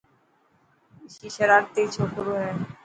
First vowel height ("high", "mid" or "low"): high